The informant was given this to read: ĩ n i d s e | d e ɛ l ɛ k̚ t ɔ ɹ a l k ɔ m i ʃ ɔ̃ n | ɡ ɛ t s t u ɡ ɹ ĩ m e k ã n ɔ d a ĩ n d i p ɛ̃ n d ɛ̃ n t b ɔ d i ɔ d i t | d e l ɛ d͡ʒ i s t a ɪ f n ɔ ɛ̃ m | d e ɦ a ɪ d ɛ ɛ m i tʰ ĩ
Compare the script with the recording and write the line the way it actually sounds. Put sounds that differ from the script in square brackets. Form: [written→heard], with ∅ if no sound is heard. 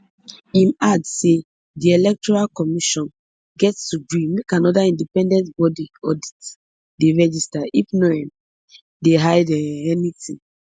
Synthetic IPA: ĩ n [i→a] d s e | d [e→i] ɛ l ɛ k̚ t ɔ ɹ a l k ɔ m i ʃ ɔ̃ n | ɡ ɛ t s t u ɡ ɹ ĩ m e k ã n ɔ d a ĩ n d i p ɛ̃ n d ɛ̃ n t b ɔ d i ɔ d i t | d e [l→ɹ] ɛ d͡ʒ i s t a [ɪ→i] f n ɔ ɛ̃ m | d e ɦ a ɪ d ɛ ɛ [m→n] i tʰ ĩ